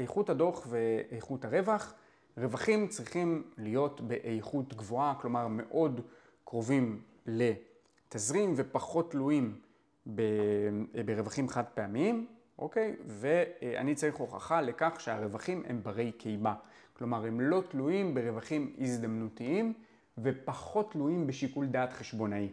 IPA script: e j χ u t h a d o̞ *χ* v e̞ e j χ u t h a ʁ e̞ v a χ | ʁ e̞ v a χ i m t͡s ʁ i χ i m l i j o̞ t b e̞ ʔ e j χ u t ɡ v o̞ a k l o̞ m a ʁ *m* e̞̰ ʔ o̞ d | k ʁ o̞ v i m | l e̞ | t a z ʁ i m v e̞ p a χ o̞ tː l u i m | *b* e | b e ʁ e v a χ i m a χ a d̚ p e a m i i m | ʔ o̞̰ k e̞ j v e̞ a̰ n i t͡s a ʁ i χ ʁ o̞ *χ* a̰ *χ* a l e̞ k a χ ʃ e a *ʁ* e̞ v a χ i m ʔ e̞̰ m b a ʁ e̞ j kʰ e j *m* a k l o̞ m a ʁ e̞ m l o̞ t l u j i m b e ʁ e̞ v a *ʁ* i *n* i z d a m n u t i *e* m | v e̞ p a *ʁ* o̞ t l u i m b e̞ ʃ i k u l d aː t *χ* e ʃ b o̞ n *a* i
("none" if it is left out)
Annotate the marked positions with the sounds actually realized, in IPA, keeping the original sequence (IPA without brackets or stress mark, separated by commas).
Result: χ, m, b, χ, χ, ʁ, m, χ, m, i, χ, χ, a